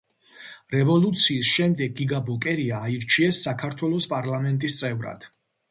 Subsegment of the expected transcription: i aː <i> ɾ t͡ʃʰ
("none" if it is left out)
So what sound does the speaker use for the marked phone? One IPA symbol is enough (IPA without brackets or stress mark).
i